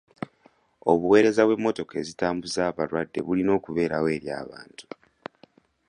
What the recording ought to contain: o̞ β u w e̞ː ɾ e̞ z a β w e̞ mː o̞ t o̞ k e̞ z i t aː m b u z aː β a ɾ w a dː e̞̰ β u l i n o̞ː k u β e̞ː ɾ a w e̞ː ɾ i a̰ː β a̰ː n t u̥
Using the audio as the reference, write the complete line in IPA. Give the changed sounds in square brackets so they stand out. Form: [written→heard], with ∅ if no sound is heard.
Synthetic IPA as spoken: o̞ β u w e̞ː ɾ e̞ z a β w e̞ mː o̞ t o̞ k e̞ z i t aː m b u z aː β a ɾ w a dː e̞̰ β u l i n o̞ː k u β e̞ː ɾ a w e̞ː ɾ [i→j] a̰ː β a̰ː n t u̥